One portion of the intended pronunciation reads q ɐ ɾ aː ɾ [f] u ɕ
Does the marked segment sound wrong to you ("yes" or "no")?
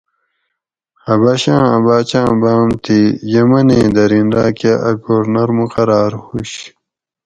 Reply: yes